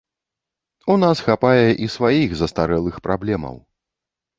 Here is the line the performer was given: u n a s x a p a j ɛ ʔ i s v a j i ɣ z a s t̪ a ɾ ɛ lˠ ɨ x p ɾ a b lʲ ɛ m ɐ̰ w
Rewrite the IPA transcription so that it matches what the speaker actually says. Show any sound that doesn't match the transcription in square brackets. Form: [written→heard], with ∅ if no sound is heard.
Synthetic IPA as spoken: u n a s x a p a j ɛ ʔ i s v a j i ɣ z [a→ɐ] s t̪ a ɾ ɛ lˠ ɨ x p ɾ a b lʲ ɛ m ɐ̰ w

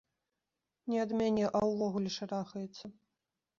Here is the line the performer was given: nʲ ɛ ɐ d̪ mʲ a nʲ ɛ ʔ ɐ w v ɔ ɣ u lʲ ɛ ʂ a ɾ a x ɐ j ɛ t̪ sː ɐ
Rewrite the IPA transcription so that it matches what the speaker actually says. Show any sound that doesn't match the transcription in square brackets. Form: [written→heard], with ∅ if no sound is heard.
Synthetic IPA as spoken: nʲ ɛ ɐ d̪ mʲ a nʲ ɛ ʔ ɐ w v ɔ ɣ u lʲ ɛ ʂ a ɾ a x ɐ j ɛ t̪ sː ɐ

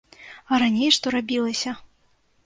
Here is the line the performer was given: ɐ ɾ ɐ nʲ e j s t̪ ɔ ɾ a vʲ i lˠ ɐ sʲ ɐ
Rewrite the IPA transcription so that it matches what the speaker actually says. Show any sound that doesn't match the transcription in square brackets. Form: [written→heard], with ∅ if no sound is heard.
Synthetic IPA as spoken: ɐ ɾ [ɐ→a] nʲ e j [s→ʂ] t̪ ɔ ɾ a [vʲ→bʲ] i lˠ ɐ sʲ ɐ

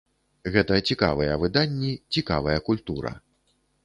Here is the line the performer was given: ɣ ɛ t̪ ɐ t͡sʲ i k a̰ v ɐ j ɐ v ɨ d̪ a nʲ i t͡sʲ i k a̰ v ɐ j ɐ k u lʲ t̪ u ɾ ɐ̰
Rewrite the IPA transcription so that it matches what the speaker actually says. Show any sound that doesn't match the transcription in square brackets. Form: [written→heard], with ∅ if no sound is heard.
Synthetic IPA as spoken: ɣ ɛ t̪ ɐ t͡sʲ i k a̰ v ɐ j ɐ v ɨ d̪ a [nʲ→nʲː] i t͡sʲ i k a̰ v ɐ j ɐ k u lʲ t̪ u ɾ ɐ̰

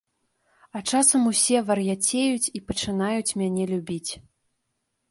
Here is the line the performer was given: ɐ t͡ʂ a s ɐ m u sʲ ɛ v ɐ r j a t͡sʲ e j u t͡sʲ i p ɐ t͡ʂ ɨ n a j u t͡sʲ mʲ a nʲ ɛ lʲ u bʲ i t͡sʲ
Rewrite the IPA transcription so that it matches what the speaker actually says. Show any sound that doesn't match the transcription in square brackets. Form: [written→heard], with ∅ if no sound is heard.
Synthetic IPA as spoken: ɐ t͡ʂ a s ɐ m u sʲ ɛ v ɐ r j a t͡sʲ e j u t͡sʲ i p ɐ t͡ʂ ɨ n a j u t͡sʲ mʲ a nʲ ɛ lʲ u bʲ i t͡sʲ

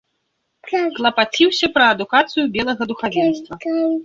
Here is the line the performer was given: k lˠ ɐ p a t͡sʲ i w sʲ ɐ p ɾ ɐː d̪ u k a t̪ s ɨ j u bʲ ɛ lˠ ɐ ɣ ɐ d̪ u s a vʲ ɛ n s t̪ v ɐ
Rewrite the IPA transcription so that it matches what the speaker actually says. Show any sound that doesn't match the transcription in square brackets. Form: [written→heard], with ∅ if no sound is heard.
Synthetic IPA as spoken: k lˠ ɐ p a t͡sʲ i w sʲ ɐ p ɾ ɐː d̪ u k a t̪ s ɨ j u bʲ ɛ lˠ ɐ ɣ ɐ d̪ u [s→x] a vʲ ɛ n s t̪ v ɐ

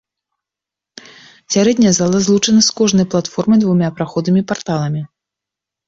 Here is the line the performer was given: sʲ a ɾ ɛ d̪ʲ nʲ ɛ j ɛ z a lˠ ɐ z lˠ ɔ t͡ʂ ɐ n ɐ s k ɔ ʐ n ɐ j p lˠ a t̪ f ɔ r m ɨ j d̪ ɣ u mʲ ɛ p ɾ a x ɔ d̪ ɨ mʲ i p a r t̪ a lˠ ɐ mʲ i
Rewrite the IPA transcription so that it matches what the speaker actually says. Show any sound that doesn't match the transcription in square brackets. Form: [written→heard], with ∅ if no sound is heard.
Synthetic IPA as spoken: sʲ a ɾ ɛ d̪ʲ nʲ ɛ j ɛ z a lˠ ɐ z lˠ [ɔ→u] t͡ʂ ɐ n ɐ s k ɔ ʐ n ɐ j p lˠ a t̪ f ɔ r m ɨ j d̪ [ɣ→v] u mʲ [ɛ→a] p ɾ a x ɔ d̪ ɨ mʲ i p a r t̪ a lˠ ɐ mʲ i

